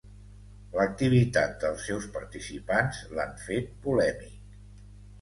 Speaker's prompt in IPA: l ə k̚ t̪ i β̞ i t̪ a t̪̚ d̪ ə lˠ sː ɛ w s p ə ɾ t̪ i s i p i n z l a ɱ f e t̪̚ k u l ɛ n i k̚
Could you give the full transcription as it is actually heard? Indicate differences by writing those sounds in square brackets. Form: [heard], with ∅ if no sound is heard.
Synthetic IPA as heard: l ə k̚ t̪ i β̞ i t̪ a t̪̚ d̪ ə lˠ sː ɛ w s p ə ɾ t̪ i s i p [a] n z l a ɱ f e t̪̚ [p] u l ɛ [m] i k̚